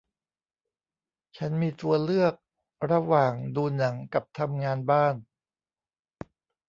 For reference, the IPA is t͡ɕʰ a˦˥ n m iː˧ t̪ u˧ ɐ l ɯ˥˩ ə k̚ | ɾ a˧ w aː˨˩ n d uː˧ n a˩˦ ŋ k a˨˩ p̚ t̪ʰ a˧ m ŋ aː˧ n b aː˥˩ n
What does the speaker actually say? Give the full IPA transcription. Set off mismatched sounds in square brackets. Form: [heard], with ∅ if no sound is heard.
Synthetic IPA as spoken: t͡ɕʰ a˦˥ n m iː˧ t̪ u˧ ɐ l ɯ˥˩ ə k̚ | ɾ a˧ w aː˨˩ [ŋ] d uː˧ n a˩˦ ŋ k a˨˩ p̚ t̪ʰ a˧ m ŋ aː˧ n b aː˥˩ n